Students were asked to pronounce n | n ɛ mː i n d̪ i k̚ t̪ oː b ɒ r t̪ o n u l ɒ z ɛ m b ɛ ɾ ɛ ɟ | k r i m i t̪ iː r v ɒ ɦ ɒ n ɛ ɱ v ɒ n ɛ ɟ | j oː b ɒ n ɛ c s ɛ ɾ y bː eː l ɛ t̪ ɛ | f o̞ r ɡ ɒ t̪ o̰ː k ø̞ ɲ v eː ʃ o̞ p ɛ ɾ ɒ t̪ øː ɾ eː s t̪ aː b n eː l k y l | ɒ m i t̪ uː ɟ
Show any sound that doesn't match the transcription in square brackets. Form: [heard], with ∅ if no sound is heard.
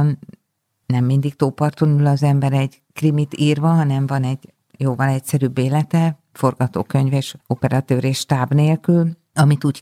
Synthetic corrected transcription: n | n ɛ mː i n d̪ i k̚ t̪ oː [p] ɒ r t̪ o n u l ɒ z ɛ m b ɛ ɾ ɛ ɟ | k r i m i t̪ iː r v ɒ ɦ ɒ n ɛ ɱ v ɒ n ɛ ɟ | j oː [v] ɒ n ɛ c s ɛ ɾ y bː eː l ɛ t̪ ɛ | f o̞ r ɡ ɒ t̪ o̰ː k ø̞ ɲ v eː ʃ o̞ p ɛ ɾ ɒ t̪ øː ɾ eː [ʃ] t̪ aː b n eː l k y l | ɒ m i t̪ uː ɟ